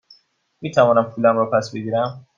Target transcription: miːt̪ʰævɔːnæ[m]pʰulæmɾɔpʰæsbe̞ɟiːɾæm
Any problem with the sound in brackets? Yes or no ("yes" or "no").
no